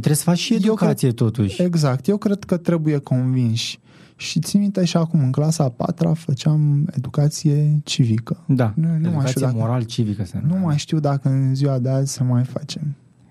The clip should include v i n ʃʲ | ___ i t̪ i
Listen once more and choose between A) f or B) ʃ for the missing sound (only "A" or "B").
B